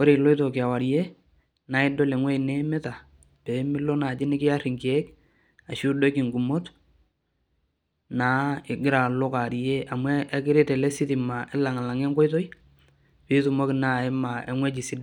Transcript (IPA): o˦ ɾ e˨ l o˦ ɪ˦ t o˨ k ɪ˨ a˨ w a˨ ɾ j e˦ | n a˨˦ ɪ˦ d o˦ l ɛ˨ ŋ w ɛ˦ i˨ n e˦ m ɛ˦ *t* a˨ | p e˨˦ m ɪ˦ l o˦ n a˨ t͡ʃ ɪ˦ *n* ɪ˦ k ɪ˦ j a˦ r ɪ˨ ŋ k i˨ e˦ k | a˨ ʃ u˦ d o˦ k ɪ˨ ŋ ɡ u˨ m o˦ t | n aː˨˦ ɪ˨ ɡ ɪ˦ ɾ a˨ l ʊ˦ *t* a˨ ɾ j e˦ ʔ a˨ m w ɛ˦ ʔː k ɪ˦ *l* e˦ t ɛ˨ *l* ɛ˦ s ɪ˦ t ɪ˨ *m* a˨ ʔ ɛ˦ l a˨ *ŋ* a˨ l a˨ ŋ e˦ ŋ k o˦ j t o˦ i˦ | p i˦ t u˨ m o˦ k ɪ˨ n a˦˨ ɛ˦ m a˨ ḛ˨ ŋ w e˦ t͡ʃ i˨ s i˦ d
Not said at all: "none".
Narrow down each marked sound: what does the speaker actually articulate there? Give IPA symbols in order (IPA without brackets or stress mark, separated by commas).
t, n, k, ɾ, l, m, ŋ